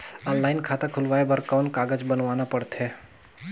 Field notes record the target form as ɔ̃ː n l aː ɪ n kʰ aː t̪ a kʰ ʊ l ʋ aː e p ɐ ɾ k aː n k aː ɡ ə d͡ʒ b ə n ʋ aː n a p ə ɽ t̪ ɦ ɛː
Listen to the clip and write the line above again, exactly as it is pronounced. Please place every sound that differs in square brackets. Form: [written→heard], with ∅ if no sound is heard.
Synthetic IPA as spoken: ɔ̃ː n l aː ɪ n kʰ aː t̪ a kʰ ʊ l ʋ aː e [p→b] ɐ ɾ k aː n k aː ɡ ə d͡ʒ b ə n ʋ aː n a p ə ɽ t̪ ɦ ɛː